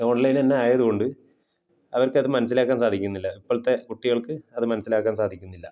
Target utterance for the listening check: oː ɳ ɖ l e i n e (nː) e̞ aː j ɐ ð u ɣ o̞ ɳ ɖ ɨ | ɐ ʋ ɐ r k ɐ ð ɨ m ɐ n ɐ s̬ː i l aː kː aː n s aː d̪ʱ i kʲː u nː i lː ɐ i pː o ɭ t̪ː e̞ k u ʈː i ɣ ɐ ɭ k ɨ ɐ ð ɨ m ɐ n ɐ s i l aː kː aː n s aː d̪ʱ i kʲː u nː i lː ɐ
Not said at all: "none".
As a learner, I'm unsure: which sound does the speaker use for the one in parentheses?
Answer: nː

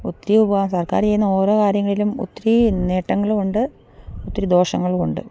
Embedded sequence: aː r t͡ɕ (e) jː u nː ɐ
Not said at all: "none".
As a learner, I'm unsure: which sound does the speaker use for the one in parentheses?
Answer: e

